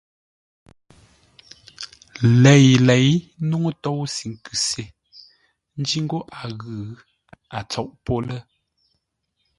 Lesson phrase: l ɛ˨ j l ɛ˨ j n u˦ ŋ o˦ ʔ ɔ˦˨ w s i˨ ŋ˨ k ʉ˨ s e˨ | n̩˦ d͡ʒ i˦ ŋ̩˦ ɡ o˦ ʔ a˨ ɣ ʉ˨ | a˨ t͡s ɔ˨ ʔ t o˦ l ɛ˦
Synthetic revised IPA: l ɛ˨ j l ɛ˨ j n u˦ ŋ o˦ t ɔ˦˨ w s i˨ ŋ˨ k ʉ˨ s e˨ | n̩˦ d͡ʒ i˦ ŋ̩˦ ɡ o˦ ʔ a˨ ɣ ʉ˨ | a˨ t͡s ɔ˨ ʔ p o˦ l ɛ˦